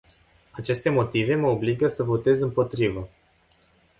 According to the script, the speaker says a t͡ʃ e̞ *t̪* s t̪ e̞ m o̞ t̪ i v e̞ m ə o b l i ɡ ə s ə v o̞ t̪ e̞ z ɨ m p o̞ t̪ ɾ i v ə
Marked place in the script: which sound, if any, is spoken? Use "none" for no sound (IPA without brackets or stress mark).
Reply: none